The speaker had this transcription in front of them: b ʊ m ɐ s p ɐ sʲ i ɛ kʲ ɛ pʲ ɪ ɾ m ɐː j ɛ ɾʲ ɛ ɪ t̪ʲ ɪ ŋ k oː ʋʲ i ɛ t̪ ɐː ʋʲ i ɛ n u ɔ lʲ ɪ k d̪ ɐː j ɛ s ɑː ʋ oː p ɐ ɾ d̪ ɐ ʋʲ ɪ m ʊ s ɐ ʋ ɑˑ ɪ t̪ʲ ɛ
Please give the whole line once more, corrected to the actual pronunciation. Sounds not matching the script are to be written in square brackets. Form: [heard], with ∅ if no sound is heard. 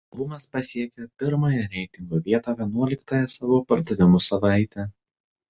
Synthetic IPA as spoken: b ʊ m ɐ s p ɐ sʲ i ɛ kʲ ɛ pʲ ɪ ɾ m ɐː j ɛ ɾʲ ɛ ɪ t̪ʲ ɪ ŋ [ɡ] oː ʋʲ i ɛ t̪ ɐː ʋʲ i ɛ n u ɔ lʲ ɪ k [t̪] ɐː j ɛ s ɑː ʋ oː p ɐ ɾ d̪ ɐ ʋʲ ɪ m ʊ s ɐ ʋ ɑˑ ɪ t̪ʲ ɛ